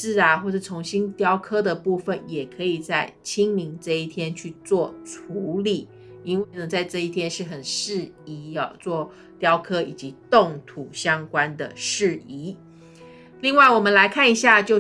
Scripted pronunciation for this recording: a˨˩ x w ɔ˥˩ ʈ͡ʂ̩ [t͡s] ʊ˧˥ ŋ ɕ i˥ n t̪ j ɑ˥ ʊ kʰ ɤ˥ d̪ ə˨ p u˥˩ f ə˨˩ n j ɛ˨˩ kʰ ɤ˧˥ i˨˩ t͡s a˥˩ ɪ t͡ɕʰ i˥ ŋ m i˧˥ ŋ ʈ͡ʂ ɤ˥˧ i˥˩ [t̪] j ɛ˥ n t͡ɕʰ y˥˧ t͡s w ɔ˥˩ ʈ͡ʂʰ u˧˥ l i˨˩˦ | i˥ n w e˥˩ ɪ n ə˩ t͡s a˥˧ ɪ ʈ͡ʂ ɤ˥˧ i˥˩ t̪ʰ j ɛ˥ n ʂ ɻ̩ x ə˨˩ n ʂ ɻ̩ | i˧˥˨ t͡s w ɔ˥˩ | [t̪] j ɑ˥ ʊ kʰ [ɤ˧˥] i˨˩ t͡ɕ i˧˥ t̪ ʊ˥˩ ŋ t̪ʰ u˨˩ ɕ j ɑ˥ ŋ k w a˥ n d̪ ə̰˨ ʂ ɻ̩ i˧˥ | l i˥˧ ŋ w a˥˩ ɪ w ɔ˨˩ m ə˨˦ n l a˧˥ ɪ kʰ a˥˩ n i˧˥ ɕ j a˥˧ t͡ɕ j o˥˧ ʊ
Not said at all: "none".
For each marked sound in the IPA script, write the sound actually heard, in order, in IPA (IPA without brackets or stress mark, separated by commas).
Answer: t͡sʰ, t̪ʰ, t̪, ɤ˥